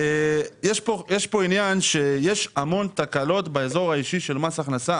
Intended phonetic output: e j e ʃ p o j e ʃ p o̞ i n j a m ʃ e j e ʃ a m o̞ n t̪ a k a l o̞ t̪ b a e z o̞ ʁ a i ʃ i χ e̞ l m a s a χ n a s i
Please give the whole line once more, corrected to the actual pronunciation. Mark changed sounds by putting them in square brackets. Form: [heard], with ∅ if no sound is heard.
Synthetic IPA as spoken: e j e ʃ p o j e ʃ p o̞ i n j a [n] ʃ e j e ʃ a m o̞ n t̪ a k a l o̞ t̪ b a e z o̞ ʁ a i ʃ i [ʃ] e̞ l m a s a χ n a s [a]